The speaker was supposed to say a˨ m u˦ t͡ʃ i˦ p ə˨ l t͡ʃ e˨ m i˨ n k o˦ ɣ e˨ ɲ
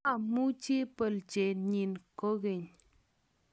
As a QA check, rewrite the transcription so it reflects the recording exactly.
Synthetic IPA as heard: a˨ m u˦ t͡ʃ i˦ p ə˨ l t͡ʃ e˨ ɲ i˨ n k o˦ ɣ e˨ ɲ